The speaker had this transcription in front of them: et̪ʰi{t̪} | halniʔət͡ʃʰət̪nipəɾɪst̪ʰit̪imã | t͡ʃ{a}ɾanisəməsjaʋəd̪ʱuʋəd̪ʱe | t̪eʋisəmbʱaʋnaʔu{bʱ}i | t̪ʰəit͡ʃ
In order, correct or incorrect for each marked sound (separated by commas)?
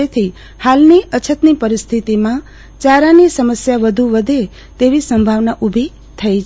incorrect, correct, correct